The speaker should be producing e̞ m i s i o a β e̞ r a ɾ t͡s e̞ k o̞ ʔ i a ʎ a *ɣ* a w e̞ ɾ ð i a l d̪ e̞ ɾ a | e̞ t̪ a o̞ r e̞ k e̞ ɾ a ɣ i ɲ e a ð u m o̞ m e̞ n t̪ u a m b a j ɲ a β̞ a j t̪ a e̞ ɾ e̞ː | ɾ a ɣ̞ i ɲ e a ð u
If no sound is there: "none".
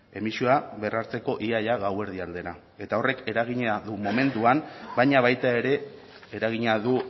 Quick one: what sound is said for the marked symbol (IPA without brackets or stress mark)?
ɣ